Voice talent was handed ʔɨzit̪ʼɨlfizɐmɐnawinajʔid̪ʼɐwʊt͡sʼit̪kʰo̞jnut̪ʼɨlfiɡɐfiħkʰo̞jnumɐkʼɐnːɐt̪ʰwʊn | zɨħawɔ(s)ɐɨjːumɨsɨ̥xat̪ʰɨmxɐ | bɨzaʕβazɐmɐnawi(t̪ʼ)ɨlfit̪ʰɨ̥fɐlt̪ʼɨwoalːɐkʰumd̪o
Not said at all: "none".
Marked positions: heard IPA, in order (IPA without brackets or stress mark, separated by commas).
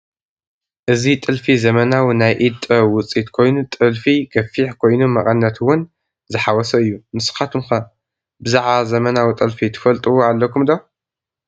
s, t̪ʼ